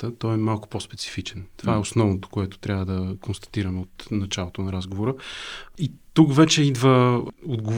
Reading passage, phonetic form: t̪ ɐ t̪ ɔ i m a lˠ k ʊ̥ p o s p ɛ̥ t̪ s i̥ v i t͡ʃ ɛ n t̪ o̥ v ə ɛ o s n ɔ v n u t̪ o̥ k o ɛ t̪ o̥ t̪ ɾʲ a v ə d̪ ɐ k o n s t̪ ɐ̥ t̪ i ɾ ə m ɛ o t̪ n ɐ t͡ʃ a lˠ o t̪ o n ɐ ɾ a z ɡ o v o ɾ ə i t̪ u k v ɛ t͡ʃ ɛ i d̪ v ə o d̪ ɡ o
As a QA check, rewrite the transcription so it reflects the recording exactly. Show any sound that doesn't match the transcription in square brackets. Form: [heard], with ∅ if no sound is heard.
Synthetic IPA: t̪ [ə] t̪ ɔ [ɛ] m a lˠ k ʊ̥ p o s p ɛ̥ t̪ s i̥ [f] i t͡ʃ ɛ n t̪ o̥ v [a] ɛ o s n ɔ v n [o] t̪ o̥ k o ɛ t̪ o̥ t̪ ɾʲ a v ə d̪ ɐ k o n s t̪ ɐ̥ t̪ i ɾ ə m ɛ o t̪ n ɐ t͡ʃ a lˠ o t̪ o n ɐ ɾ a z ɡ o v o ɾ ə i t̪ u k v ɛ t͡ʃ ɛ i d̪ v ə o d̪ ɡ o